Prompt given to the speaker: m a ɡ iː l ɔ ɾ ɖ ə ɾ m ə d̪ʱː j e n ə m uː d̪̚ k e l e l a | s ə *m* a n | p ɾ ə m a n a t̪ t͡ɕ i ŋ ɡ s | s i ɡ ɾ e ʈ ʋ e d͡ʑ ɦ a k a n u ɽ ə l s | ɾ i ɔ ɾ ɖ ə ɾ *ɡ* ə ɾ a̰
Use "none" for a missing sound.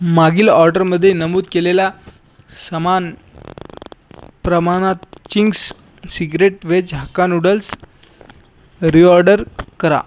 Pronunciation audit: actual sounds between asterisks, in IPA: m, k

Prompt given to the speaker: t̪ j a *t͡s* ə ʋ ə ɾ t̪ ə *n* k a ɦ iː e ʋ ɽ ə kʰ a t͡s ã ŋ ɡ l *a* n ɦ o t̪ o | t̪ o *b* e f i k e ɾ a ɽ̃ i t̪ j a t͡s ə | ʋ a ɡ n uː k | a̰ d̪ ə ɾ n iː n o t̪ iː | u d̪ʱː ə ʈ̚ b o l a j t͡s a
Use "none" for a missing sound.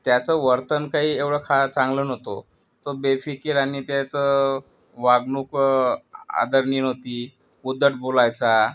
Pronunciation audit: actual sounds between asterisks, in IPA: t͡s, n, ə, b

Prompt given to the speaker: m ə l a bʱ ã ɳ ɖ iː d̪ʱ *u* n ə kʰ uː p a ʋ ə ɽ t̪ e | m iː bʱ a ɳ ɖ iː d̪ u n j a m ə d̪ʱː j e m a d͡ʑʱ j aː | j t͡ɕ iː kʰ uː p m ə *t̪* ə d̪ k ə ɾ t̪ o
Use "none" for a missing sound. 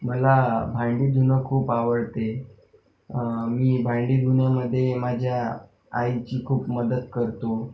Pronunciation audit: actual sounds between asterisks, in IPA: u, d̪

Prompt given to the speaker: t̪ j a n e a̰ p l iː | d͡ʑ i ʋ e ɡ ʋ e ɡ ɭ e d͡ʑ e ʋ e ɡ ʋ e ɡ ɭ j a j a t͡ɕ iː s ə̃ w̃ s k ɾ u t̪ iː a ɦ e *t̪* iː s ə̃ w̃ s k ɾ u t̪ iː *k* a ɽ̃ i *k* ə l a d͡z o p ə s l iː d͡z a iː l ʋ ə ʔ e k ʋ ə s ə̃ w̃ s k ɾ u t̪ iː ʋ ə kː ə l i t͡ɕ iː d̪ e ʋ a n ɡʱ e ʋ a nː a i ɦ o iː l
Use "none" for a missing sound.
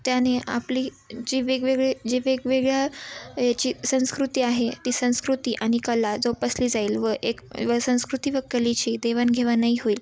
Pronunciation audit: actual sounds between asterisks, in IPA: t̪, ʔ, k

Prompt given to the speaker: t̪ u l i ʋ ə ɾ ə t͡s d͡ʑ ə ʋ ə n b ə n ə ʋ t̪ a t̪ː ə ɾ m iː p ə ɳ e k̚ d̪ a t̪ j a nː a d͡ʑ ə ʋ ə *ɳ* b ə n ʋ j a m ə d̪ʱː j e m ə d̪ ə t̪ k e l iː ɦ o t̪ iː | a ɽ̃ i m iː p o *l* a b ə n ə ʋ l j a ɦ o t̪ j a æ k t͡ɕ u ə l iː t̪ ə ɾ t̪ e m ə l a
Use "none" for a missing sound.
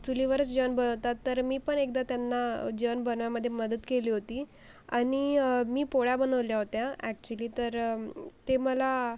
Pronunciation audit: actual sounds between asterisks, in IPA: n, ɽ

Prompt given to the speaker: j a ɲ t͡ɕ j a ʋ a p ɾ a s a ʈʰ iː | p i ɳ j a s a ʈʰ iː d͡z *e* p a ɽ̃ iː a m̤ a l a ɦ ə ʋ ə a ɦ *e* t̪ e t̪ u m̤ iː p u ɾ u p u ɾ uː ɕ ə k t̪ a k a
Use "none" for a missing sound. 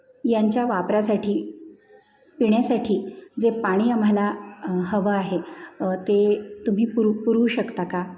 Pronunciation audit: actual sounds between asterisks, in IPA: e, e

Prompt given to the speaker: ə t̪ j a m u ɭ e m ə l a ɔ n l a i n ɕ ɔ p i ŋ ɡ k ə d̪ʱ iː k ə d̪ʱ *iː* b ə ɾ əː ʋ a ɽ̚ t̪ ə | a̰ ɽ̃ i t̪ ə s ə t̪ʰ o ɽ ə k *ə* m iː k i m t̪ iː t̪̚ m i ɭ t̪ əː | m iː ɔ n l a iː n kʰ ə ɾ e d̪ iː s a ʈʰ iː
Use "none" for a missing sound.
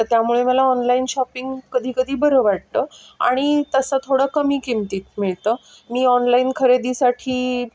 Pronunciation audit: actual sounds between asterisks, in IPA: iː, ə

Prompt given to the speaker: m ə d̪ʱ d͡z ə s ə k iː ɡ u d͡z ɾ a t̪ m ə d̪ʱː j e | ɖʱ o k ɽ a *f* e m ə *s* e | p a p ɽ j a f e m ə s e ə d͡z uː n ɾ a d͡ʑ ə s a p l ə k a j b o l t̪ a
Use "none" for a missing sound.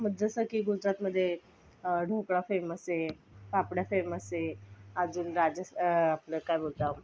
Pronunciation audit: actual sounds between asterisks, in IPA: f, s

